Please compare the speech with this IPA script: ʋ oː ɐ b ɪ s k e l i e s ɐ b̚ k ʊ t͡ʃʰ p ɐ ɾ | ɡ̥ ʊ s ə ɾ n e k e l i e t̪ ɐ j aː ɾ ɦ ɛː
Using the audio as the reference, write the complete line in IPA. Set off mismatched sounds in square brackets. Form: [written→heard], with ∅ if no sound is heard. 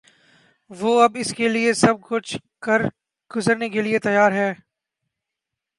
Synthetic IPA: ʋ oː ɐ b ɪ s k e l i e s ɐ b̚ k ʊ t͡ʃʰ [p→k] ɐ ɾ | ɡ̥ ʊ [s→z] ə ɾ n e k e l i e t̪ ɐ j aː ɾ ɦ ɛː